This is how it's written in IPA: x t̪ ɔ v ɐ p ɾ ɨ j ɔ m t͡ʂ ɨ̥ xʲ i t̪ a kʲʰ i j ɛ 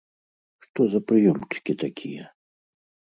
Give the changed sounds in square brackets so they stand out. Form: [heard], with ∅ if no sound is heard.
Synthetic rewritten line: [ʂ] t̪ ɔ [z] ɐ p ɾ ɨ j ɔ m t͡ʂ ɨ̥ [kʲ] i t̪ a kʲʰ i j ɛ